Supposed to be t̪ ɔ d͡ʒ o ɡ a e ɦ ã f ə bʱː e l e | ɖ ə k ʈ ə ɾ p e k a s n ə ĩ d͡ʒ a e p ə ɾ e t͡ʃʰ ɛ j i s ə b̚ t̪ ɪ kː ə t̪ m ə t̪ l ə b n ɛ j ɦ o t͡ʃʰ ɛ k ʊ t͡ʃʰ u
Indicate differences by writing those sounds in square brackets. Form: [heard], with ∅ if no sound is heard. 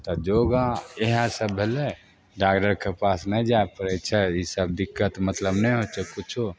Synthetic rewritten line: t̪ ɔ d͡ʒ o ɡ a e ɦ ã [s] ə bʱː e l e | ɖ [a] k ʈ ə ɾ [k] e [p] a s n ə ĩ d͡ʒ a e p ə ɾ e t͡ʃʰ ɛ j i s ə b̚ [d̪] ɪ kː ə t̪ m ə t̪ l ə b n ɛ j ɦ o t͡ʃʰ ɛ k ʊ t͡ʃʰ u